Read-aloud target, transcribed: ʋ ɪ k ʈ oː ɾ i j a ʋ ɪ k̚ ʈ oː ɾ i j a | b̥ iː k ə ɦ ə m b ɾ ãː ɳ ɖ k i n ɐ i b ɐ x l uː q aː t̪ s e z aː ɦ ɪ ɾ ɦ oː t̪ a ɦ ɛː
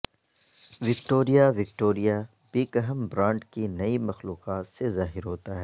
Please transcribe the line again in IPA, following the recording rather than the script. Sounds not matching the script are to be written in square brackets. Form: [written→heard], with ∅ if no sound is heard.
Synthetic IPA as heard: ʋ ɪ k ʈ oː ɾ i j a ʋ ɪ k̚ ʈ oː ɾ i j a | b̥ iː k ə ɦ ə m b ɾ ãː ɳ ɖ k i n ɐ i [b→m] ɐ x l uː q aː t̪ s e z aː ɦ ɪ ɾ ɦ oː t̪ a ɦ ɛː